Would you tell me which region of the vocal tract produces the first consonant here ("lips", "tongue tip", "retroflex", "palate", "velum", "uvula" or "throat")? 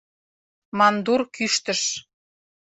lips